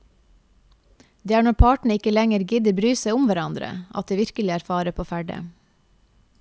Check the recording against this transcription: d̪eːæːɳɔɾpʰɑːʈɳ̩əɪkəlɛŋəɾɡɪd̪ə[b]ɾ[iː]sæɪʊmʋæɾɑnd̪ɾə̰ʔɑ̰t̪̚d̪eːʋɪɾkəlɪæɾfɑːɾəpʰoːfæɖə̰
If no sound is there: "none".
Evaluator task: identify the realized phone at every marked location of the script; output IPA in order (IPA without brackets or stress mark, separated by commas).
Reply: b, yː